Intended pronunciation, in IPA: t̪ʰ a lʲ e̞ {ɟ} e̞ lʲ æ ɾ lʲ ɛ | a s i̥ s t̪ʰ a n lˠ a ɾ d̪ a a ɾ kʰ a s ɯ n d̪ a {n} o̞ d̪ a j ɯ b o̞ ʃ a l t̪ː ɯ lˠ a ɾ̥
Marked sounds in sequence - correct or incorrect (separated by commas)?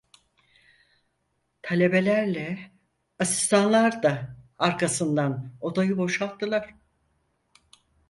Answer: incorrect, correct